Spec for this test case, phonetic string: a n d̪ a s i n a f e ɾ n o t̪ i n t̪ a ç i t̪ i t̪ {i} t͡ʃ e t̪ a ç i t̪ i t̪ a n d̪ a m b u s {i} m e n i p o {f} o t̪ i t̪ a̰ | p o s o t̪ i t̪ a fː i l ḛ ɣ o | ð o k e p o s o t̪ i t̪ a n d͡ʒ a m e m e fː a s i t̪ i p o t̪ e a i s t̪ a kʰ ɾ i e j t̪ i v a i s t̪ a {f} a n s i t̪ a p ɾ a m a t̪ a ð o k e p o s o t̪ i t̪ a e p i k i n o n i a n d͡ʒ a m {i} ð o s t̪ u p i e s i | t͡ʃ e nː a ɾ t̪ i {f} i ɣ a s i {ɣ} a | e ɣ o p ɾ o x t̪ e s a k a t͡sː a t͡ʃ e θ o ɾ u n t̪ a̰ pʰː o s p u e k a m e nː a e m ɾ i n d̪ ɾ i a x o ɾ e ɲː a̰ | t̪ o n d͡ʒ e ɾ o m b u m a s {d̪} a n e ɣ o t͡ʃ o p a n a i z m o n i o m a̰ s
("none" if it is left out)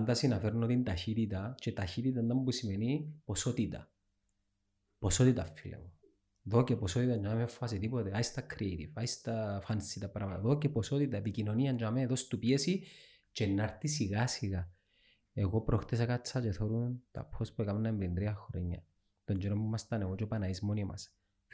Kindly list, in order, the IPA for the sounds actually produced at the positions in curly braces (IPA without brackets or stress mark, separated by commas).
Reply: a, i, s, f, e, s, ɣ, t̪